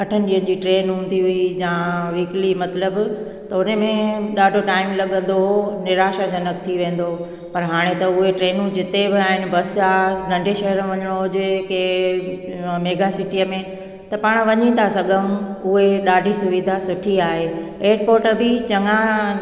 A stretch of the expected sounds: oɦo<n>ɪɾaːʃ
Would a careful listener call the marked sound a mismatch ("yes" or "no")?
no